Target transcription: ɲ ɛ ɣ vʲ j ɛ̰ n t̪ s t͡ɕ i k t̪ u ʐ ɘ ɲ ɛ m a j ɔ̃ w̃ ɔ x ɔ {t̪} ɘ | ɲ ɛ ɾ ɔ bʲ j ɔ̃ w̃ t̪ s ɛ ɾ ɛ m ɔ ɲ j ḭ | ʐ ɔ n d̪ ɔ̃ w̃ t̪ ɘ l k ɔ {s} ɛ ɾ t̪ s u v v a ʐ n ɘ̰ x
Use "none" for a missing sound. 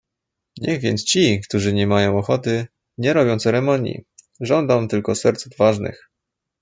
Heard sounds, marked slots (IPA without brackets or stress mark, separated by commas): t̪, s